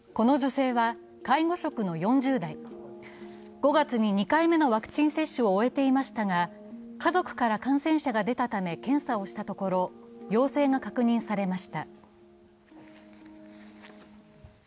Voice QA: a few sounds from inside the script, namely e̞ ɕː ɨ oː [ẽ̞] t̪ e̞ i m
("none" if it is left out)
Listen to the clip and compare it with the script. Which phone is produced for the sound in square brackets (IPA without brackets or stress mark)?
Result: e̞